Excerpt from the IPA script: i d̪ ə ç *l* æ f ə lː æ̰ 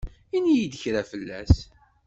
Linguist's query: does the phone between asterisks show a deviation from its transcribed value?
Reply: yes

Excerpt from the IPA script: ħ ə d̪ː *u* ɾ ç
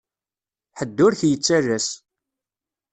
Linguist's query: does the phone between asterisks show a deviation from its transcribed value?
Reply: yes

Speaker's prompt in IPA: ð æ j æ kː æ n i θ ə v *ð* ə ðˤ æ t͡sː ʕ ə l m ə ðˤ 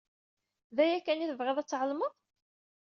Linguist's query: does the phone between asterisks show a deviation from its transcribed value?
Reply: yes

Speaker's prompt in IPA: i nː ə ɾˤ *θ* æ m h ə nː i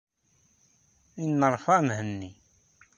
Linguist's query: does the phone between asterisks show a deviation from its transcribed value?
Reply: yes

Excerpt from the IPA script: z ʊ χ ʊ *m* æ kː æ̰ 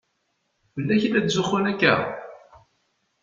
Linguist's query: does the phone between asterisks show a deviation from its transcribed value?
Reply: yes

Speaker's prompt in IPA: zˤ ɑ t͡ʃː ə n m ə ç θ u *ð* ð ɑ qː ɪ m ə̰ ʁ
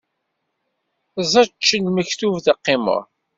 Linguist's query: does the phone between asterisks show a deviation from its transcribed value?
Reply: yes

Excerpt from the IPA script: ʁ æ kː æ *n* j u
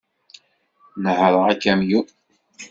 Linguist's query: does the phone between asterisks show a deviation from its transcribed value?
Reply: yes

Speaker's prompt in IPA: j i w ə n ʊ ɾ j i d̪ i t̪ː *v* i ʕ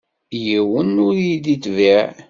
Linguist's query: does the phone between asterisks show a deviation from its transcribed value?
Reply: no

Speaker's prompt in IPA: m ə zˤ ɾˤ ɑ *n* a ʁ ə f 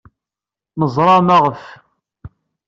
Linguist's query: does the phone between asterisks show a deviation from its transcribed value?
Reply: yes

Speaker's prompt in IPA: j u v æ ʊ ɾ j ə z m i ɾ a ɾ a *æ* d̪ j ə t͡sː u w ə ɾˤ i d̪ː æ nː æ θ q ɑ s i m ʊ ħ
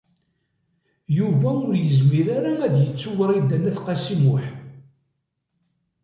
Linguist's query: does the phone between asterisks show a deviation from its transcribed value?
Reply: no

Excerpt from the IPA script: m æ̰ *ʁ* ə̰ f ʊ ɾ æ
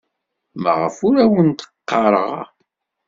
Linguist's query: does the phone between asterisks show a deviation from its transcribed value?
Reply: no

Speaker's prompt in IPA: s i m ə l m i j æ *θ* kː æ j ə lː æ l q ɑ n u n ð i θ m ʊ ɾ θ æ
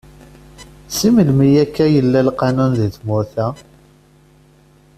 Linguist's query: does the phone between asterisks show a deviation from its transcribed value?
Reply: yes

